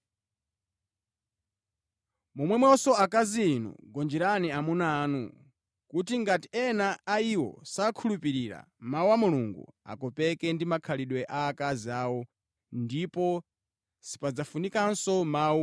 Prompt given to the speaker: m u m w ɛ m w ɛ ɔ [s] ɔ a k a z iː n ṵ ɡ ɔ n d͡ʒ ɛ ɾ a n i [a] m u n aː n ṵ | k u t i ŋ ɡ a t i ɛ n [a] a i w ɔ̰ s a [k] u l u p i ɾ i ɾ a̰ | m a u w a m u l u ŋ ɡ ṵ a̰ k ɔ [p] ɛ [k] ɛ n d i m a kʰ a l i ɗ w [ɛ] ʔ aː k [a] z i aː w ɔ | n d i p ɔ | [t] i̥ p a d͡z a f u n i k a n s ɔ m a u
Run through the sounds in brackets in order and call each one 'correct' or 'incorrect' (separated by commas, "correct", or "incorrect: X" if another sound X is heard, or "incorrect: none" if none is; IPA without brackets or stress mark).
correct, correct, correct, incorrect: kʰ, correct, correct, correct, correct, incorrect: s